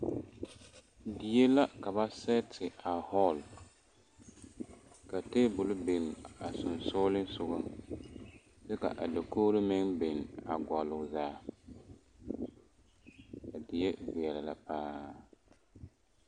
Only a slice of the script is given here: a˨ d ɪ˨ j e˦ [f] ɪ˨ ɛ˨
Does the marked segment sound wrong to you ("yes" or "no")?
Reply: yes